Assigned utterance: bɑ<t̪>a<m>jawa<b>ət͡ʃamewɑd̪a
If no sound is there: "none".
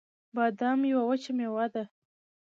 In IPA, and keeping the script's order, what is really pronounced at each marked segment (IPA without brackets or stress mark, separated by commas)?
d̪, m, w